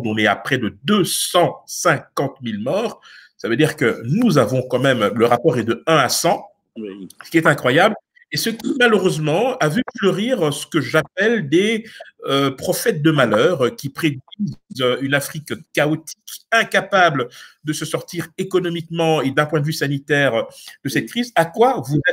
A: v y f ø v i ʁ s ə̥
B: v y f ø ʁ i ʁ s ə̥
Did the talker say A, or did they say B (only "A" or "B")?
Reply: B